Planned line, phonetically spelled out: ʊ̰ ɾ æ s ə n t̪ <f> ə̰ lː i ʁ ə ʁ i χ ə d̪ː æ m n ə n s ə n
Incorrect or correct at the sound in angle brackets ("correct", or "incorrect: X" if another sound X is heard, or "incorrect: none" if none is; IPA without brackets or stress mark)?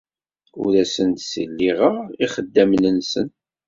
incorrect: s